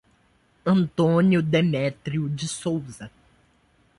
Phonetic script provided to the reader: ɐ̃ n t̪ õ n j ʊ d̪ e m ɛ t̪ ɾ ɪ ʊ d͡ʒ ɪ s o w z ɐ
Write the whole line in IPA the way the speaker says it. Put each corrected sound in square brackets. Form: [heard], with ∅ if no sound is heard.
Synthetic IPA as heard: ɐ̃ n t̪ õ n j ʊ d̪ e m ɛ t̪ ɾ [i] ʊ d͡ʒ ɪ s o w z ɐ

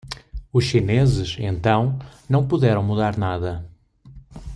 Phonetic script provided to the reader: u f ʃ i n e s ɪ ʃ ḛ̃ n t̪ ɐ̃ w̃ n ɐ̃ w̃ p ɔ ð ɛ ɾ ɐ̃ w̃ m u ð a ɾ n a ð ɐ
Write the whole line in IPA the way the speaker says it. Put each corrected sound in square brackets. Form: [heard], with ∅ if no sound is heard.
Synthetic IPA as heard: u [ʃ] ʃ i n e [z] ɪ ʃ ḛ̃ n t̪ ɐ̃ w̃ n ɐ̃ w̃ p [u] ð ɛ ɾ ɐ̃ w̃ m u ð a ɾ n a ð ɐ

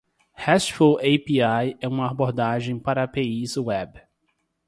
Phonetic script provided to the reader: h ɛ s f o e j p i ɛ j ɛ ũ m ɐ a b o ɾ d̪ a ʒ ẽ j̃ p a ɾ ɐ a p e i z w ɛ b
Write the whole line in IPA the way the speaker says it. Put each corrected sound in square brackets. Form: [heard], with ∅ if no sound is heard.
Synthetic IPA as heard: h ɛ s f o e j p i [a] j ɛ ũ m ɐ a b o ɾ d̪ a ʒ ẽ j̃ p a ɾ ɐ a p e i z w ɛ b

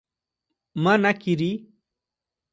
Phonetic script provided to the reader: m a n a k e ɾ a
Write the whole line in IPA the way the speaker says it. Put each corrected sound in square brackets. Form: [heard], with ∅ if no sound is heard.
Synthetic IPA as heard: m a n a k [i] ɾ [i]

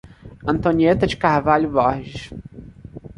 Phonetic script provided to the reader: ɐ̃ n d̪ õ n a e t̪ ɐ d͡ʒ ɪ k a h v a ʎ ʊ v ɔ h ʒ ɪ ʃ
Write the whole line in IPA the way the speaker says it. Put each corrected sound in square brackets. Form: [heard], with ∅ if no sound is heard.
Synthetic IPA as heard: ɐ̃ n [t̪] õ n [i] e t̪ ɐ d͡ʒ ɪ k a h v a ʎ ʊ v ɔ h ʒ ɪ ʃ

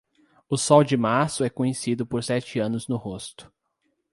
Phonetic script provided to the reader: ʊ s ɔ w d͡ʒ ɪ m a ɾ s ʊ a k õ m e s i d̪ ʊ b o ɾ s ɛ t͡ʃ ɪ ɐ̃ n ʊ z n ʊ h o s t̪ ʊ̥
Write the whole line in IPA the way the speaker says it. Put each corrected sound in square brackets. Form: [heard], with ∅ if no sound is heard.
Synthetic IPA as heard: ʊ s ɔ w d͡ʒ ɪ m a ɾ s ʊ [ɛ] k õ [ɲ] e s i d̪ ʊ [p] o ɾ s ɛ t͡ʃ ɪ ɐ̃ n ʊ z n ʊ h o s t̪ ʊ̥

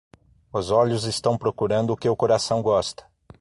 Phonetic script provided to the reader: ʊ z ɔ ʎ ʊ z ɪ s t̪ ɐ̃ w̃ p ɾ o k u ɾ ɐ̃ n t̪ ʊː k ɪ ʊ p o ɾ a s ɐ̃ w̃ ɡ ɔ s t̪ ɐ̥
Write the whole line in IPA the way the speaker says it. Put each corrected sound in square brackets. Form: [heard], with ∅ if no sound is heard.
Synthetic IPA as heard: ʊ z ɔ ʎ ʊ z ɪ s t̪ ɐ̃ w̃ p ɾ o k u ɾ ɐ̃ n [d̪] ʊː k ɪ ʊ [k] o ɾ a s ɐ̃ w̃ ɡ ɔ s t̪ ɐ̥

